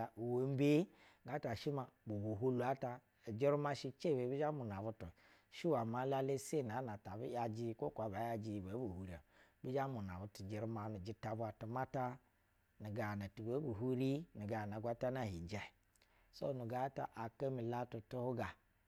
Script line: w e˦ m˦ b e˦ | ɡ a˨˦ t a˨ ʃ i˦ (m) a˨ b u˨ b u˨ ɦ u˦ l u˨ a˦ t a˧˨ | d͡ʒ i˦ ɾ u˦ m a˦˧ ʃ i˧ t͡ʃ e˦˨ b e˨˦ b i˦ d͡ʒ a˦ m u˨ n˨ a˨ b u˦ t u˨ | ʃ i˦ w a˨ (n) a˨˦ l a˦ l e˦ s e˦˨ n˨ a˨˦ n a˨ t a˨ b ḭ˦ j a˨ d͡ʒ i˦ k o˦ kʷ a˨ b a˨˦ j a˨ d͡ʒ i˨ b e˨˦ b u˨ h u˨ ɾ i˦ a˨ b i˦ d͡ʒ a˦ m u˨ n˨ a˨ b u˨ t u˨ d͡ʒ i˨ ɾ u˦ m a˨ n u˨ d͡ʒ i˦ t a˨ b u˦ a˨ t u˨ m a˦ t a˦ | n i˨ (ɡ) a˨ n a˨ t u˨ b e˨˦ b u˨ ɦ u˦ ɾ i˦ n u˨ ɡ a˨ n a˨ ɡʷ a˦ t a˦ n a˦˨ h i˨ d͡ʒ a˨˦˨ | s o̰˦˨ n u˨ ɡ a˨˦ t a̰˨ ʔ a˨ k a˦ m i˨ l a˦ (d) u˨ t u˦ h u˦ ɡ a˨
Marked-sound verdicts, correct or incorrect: correct, incorrect: m, correct, incorrect: t

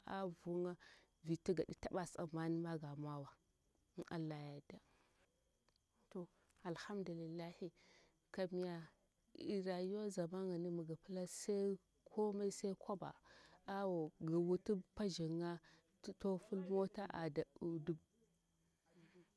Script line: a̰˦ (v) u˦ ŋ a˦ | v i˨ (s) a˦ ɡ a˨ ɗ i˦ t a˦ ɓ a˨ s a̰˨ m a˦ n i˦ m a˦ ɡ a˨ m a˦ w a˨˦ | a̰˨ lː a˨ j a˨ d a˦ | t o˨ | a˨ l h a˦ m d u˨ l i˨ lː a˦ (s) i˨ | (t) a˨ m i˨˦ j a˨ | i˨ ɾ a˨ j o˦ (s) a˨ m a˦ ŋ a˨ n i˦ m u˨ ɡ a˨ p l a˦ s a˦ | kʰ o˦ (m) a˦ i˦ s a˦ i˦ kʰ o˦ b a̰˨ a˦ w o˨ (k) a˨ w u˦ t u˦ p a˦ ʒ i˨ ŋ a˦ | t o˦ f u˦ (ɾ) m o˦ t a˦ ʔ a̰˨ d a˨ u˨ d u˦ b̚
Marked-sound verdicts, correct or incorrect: correct, incorrect: t, incorrect: h, incorrect: k, incorrect: z, correct, incorrect: ɡ, incorrect: l

